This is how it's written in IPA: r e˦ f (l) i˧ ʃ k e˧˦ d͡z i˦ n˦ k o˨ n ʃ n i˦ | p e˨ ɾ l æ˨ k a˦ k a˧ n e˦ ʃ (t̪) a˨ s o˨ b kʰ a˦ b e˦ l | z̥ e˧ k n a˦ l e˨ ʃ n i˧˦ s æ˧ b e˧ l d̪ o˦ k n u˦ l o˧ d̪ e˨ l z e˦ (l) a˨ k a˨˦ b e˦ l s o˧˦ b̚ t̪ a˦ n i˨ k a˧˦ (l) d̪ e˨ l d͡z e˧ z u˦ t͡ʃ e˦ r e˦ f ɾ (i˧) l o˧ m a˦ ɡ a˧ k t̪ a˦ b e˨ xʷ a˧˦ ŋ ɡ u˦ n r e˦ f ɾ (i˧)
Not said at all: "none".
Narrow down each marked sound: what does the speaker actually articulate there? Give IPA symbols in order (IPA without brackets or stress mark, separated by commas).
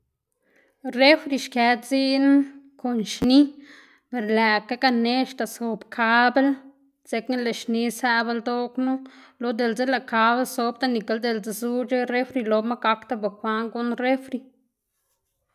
ɾ, t̪, l, l, i˧, i˧